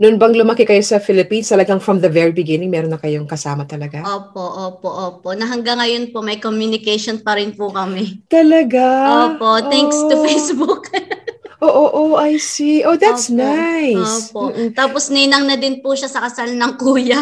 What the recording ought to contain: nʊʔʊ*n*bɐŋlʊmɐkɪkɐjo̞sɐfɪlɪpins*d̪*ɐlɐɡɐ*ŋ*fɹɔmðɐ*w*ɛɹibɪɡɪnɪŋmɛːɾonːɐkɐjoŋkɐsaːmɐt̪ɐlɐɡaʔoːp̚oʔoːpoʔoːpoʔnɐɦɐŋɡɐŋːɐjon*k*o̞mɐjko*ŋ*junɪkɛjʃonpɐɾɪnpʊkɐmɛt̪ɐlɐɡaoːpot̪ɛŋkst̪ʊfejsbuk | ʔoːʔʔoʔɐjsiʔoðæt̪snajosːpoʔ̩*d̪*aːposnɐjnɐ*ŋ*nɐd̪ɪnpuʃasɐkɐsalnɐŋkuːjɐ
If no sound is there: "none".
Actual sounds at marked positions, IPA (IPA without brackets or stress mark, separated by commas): n, t̪, ŋ, v, p, m, t̪, ŋ